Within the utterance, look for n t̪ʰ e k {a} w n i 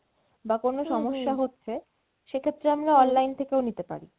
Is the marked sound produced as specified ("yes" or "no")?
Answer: no